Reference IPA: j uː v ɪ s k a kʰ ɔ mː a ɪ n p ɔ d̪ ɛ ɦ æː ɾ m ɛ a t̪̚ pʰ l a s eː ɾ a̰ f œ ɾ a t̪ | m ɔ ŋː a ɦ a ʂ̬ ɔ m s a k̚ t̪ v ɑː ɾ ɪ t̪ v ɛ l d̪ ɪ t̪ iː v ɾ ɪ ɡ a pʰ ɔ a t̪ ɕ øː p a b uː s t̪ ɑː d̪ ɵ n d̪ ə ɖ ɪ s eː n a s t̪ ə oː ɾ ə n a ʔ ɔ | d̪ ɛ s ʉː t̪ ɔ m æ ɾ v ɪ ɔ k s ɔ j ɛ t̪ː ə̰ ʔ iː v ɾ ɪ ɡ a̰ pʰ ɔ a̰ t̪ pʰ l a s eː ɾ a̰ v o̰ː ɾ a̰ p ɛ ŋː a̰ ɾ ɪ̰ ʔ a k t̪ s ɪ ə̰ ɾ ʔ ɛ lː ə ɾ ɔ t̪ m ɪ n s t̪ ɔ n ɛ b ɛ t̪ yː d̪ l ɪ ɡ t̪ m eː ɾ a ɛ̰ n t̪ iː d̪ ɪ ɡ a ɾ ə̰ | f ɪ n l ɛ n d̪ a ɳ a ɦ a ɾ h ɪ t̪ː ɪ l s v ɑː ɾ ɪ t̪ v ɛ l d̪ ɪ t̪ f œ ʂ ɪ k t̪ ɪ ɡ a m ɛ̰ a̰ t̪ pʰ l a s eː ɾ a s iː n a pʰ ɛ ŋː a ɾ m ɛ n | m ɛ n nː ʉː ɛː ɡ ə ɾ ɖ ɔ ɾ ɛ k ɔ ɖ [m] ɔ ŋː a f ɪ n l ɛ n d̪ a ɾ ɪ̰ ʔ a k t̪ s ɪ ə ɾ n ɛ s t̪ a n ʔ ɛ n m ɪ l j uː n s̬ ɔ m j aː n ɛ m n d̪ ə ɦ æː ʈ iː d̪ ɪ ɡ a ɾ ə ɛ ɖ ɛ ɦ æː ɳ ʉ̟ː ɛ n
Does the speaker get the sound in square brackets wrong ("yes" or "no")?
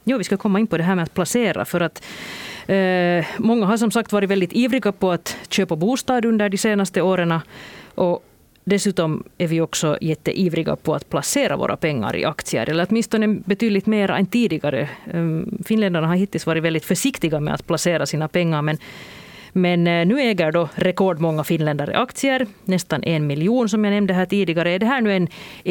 no